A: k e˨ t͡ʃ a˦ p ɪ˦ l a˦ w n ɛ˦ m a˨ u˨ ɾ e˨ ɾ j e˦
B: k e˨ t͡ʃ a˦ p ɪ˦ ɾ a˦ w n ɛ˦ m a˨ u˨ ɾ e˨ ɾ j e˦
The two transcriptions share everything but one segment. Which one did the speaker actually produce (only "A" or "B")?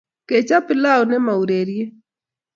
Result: A